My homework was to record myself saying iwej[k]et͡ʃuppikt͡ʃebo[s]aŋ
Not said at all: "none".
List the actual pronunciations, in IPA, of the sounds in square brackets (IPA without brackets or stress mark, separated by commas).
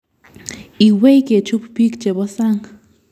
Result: k, s